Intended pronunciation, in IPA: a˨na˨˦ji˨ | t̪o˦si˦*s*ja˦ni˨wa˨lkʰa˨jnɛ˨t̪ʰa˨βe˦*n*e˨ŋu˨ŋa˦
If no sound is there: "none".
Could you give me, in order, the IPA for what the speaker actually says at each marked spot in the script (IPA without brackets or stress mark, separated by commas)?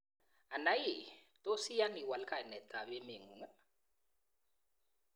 none, m